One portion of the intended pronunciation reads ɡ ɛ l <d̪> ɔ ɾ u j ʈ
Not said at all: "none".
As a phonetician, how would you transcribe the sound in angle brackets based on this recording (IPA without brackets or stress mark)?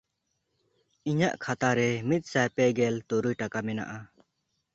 t̪